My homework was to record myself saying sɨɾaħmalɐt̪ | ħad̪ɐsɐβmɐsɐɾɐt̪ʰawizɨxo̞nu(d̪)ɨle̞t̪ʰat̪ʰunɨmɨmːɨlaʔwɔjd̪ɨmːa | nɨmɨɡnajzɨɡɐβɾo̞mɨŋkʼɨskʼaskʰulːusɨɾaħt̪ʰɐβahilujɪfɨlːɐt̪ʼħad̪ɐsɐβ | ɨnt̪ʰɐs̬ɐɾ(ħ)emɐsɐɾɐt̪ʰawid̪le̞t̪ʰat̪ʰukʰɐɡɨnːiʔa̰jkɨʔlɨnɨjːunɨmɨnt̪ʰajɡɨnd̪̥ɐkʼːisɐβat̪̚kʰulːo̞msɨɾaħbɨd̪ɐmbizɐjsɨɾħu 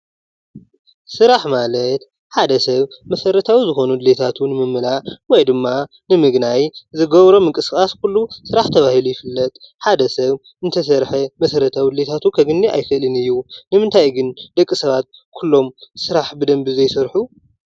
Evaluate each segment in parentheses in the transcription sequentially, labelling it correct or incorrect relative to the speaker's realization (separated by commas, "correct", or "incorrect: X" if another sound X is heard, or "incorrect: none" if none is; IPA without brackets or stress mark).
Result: correct, correct